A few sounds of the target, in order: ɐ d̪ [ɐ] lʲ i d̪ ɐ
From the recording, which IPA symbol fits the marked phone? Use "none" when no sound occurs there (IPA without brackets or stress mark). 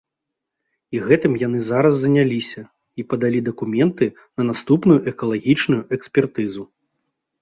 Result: a